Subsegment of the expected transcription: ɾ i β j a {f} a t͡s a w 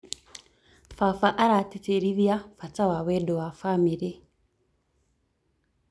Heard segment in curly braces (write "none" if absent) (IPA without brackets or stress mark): f